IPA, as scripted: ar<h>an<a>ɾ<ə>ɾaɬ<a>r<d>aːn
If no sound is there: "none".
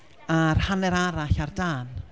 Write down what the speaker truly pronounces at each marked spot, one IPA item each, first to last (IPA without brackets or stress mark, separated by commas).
h, ɛ, a, a, d